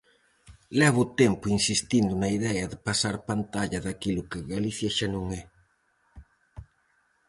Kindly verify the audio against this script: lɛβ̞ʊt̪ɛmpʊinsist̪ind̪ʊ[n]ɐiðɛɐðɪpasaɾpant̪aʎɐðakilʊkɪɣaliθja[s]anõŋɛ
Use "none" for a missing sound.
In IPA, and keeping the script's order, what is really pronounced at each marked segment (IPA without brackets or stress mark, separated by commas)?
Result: n, ʃ